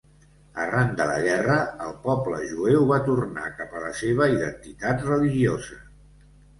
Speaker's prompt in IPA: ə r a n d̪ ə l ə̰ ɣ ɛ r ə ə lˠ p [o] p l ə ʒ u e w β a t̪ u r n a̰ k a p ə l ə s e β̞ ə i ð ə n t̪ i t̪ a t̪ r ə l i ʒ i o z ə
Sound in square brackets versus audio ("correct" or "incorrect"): incorrect